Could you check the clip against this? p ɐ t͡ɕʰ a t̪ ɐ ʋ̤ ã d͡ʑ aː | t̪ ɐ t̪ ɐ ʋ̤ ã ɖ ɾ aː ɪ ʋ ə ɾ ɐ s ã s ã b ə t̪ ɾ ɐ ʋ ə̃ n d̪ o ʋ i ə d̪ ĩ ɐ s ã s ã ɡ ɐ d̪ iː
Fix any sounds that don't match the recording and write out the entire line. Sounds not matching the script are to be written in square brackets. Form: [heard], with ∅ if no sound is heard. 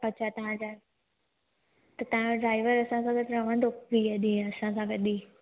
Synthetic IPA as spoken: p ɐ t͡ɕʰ a t̪ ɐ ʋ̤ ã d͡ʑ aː | t̪ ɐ t̪ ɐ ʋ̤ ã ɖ ɾ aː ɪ ʋ ə ɾ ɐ s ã s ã [ɡ] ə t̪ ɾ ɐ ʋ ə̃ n d̪ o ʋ i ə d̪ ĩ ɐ s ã s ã ɡ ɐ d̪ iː